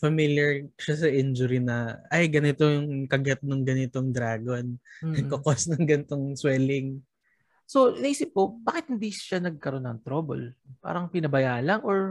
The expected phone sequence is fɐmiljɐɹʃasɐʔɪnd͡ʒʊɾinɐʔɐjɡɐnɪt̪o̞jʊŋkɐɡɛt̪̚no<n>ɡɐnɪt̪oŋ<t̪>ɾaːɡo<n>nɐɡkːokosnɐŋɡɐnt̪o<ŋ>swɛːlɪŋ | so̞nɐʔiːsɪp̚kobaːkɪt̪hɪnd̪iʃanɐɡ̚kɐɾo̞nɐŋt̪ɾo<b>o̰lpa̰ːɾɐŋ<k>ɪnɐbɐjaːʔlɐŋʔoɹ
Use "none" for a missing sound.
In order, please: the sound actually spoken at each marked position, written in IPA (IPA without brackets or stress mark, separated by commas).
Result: ŋ, d̪, n, ŋ, b, p